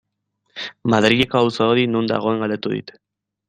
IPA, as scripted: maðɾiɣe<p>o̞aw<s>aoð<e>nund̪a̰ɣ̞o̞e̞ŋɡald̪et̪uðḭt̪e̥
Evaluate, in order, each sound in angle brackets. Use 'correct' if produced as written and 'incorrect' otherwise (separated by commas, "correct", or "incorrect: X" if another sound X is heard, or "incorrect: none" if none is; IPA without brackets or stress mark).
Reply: incorrect: k, correct, incorrect: i